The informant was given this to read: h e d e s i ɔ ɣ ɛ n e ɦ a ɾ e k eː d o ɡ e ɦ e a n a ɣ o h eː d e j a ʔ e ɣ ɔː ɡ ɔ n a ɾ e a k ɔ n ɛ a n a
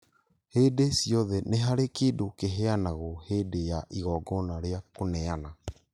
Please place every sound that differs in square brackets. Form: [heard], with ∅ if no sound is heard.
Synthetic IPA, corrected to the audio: h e d e s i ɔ [ð] ɛ n e ɦ a ɾ e k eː d o [k] e ɦ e a n a ɣ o h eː d e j a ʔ [i] ɣ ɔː ɡ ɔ n a ɾ e a k [o] n ɛ a n a